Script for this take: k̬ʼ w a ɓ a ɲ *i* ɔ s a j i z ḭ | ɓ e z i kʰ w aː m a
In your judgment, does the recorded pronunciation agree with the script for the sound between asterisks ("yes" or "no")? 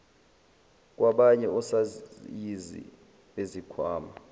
no